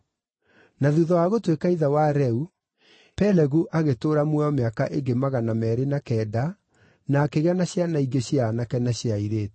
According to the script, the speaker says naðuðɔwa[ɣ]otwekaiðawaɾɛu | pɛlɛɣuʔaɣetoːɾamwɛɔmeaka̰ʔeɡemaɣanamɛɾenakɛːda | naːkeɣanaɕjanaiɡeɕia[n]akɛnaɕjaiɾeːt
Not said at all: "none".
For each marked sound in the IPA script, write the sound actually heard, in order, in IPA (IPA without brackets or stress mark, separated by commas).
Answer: ɣ, n